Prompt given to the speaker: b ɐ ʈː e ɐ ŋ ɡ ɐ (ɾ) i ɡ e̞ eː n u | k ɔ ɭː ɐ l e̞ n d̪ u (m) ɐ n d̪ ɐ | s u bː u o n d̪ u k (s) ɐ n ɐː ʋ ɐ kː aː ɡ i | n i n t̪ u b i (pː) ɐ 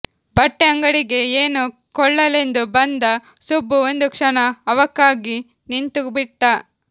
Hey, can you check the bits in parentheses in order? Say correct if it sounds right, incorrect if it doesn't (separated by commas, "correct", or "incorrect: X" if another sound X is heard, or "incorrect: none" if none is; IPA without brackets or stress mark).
incorrect: ɽ, incorrect: b, incorrect: ʂ, incorrect: ʈː